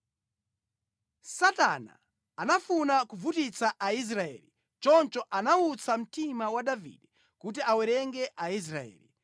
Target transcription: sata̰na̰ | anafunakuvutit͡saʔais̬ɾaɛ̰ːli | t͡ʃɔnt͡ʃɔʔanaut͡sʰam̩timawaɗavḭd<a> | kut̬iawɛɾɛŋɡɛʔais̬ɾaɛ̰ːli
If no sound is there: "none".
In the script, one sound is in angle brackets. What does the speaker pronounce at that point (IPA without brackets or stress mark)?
ɛ